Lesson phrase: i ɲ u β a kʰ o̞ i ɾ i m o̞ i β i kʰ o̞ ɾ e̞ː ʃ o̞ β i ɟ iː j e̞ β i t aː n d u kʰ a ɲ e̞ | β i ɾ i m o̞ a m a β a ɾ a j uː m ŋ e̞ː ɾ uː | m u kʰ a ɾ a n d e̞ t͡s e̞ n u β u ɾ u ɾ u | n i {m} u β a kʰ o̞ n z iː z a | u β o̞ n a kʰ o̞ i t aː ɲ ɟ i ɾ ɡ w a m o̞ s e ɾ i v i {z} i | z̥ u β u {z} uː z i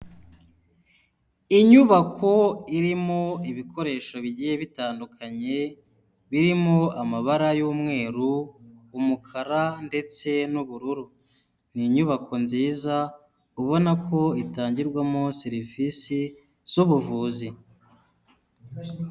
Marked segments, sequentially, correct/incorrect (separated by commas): incorrect, incorrect, incorrect